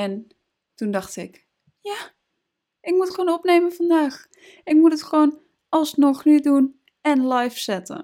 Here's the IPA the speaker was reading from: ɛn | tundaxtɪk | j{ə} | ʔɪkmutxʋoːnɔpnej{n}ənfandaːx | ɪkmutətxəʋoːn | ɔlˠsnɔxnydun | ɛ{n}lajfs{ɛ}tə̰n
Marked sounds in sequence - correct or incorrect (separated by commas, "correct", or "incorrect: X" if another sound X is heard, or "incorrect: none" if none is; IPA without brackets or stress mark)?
incorrect: a, incorrect: m, correct, correct